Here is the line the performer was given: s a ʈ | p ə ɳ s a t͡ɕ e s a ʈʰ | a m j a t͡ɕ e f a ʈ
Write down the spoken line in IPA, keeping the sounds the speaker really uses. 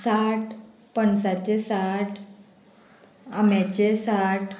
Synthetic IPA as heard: s a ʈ | p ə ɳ s a t͡ɕ e s a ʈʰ | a m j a t͡ɕ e s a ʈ